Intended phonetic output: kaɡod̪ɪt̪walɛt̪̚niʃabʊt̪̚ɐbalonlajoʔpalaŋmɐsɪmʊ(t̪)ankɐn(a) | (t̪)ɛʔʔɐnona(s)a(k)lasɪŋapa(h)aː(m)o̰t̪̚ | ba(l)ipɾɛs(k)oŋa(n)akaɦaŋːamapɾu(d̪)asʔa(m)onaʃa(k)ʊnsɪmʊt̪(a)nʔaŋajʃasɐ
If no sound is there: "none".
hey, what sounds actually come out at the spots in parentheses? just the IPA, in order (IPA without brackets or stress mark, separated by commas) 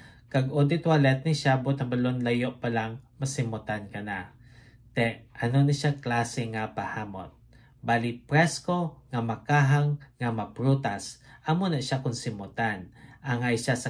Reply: t̪, a, t̪, ʃ, k, h, m, l, k, m, t̪, m, k, a